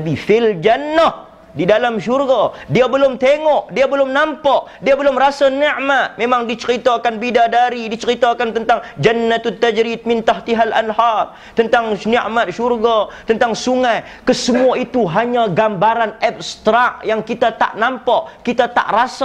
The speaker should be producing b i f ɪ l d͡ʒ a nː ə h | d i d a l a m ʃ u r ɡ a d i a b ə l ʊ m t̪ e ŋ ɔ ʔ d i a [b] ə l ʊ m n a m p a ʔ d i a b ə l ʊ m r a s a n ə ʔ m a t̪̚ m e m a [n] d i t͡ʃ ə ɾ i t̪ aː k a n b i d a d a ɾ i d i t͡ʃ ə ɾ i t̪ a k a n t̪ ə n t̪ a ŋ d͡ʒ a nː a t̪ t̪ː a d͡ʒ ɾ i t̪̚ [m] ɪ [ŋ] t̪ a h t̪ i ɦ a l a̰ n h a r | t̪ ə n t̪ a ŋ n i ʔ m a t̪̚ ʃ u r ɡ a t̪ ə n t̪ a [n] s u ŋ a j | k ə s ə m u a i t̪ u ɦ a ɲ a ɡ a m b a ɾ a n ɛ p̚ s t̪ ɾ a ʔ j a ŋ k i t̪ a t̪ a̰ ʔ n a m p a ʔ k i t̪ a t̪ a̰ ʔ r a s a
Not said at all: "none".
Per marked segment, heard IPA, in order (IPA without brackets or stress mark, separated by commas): b, ŋ, m, n, ŋ